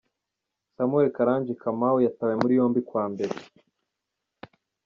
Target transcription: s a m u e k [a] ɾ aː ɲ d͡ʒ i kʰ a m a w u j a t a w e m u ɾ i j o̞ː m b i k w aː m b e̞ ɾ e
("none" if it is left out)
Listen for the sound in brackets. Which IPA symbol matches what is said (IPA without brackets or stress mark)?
a